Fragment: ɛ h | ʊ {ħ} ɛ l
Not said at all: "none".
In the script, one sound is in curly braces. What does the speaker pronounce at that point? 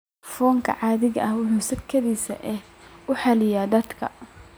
ħ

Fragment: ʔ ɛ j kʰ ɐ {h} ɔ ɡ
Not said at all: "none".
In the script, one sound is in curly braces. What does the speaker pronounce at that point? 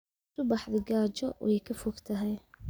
f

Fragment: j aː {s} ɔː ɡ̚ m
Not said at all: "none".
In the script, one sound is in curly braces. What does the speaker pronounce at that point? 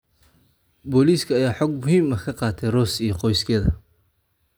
ħ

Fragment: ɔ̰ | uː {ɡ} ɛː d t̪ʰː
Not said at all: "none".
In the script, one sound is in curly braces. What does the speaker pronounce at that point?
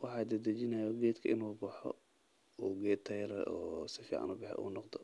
ɡ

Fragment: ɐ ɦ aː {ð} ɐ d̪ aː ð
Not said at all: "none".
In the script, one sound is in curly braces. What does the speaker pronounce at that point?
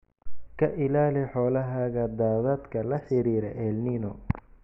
ɣ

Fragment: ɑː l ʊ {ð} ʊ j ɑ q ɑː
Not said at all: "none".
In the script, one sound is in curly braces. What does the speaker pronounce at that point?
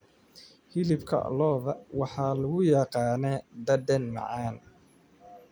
ɣ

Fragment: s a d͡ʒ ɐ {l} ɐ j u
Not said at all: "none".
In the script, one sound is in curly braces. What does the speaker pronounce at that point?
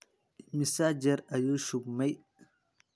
ɾ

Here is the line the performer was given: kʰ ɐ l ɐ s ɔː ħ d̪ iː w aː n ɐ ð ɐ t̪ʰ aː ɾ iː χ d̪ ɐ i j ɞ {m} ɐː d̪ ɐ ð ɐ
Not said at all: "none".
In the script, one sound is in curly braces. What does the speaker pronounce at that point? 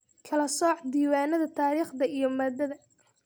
m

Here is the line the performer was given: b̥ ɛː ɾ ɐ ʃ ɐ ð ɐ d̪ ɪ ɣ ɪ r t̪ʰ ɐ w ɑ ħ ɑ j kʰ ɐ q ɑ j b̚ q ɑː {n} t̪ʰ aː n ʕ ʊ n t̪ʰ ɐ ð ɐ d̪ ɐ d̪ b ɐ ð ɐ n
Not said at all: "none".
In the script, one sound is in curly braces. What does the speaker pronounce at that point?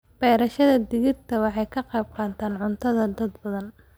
n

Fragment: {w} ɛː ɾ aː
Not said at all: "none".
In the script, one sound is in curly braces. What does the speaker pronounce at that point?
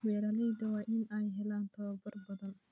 w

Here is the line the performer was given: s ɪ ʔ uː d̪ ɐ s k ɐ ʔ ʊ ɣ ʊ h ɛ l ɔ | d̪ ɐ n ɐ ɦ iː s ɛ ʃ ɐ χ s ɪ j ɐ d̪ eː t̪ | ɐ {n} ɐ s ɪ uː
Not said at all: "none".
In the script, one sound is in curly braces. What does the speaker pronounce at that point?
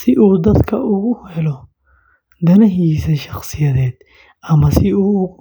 m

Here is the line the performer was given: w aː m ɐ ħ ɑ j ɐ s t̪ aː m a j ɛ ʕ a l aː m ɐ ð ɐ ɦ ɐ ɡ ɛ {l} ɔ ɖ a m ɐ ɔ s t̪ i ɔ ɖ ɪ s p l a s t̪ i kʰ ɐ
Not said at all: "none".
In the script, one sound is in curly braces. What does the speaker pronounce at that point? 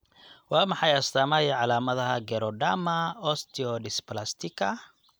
ɾ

